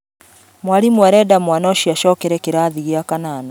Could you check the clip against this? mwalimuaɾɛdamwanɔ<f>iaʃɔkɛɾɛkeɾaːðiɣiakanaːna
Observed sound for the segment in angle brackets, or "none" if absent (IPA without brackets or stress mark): ʃ